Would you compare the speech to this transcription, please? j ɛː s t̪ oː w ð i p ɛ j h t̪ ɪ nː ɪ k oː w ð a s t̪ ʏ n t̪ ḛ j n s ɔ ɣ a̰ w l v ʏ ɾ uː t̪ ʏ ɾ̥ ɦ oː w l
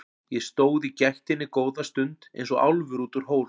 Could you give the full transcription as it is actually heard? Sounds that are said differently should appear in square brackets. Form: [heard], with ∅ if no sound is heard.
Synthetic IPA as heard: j [ɛ] s t̪ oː w ð i [c] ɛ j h t̪ ɪ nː ɪ k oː w ð a s t̪ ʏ n t̪ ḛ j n s ɔ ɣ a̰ w l v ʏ ɾ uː t̪ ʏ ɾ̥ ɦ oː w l